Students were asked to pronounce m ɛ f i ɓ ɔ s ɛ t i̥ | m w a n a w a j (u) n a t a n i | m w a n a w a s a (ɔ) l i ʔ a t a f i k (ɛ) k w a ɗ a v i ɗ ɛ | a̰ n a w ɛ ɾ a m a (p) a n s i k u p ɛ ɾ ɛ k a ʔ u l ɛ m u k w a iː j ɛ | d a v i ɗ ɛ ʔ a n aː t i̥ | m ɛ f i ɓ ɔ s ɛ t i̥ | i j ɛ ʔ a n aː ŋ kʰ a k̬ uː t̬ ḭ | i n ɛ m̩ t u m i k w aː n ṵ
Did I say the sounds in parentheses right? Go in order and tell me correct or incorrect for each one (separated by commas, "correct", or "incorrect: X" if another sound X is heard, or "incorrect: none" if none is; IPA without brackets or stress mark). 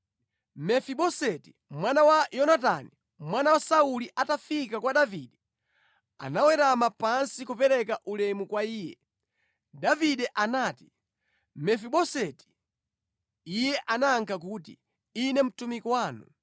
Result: incorrect: ɔ, incorrect: u, incorrect: a, correct